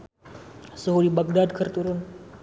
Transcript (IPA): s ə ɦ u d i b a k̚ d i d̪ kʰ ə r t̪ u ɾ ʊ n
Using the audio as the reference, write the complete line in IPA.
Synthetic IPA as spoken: s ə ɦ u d i b a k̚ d a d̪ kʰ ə r t̪ u ɾ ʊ n